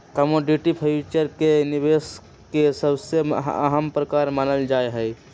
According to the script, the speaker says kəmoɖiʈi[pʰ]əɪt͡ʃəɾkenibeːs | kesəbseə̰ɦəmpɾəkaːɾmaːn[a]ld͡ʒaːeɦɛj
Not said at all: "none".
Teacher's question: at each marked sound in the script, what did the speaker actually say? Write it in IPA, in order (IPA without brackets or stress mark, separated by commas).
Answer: pʰ, ə